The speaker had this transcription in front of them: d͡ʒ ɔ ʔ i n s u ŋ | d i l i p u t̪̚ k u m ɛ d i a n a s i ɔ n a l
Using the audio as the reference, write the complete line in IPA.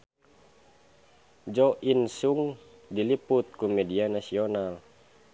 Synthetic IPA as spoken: d͡ʒ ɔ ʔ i n s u ŋ | d i l i p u t̪̚ k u m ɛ d i a n a s i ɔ n a l